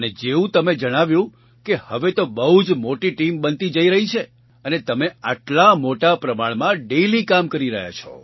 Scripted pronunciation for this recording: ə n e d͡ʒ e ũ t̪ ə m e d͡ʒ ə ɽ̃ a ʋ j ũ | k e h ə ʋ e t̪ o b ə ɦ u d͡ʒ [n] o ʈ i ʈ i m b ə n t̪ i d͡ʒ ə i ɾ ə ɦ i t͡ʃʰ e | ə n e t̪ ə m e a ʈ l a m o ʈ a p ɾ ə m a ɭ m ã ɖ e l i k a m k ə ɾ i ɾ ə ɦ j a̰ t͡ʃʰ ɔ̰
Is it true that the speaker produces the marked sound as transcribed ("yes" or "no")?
no